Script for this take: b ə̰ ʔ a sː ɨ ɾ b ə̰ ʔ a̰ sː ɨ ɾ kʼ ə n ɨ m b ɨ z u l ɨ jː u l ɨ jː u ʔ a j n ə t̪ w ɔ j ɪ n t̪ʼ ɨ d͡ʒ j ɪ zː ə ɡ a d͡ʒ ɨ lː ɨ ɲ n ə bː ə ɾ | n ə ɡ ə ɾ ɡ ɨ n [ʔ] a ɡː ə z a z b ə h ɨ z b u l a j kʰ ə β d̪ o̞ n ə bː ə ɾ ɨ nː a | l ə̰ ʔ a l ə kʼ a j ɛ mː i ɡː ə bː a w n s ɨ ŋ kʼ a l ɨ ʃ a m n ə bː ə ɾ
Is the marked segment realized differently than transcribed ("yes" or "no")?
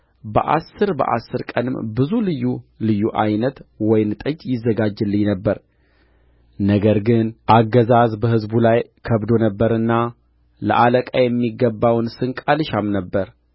no